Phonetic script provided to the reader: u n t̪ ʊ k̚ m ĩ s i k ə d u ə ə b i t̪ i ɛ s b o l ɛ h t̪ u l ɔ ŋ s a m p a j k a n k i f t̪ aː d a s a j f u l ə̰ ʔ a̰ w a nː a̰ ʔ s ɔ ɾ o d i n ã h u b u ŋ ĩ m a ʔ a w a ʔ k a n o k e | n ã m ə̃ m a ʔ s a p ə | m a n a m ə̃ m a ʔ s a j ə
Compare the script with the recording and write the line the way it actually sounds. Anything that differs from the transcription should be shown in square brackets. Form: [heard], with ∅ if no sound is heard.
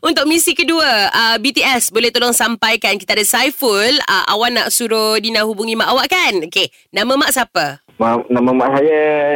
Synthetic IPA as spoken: u n t̪ ʊ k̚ m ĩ s i k ə d u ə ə b i t̪ i ɛ s b o l ɛ h t̪ [o] l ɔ ŋ s a m p a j k a n k i [∅] t̪ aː d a s a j f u l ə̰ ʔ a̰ w a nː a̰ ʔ s [u] ɾ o d i n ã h u b u ŋ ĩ m a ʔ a w a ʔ k a n o k e | n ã m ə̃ m a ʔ s a p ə | m a n a m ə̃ m a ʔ s a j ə